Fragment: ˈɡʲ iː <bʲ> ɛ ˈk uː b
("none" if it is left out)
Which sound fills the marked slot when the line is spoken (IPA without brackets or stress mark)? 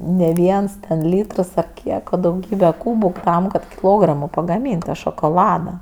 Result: bʲ